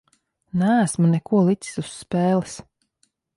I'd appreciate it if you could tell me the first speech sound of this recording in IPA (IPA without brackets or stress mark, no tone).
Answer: n